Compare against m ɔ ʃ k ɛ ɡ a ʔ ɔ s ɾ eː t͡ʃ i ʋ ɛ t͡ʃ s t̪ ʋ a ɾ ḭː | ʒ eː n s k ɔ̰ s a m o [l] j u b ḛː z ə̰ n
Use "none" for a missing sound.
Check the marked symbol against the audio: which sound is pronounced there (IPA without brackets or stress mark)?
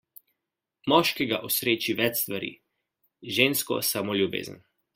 l